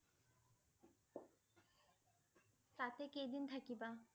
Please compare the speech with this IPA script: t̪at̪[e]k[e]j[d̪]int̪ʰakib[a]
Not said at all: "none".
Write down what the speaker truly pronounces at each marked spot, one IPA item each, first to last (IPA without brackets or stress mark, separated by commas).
e, e, d̪, a